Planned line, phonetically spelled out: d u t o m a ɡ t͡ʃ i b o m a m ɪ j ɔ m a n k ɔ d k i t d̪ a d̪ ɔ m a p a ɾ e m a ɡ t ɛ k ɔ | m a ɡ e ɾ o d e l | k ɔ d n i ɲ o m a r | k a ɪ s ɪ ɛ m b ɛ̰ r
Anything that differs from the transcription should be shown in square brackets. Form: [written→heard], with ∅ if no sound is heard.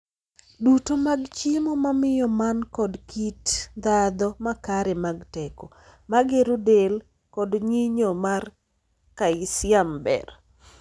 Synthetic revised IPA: d u t o m a ɡ t͡ʃ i [b→m] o m a m ɪ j ɔ m a n k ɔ d k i t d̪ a d̪ ɔ m a [p→k] a ɾ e m a ɡ t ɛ k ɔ | m a ɡ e ɾ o d e l | k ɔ d [n→ɲ] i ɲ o m a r | k a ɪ s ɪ [ɛ→a] m b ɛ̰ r